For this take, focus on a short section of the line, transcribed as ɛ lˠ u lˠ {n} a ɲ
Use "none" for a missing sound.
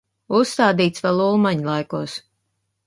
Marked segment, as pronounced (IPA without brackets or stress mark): m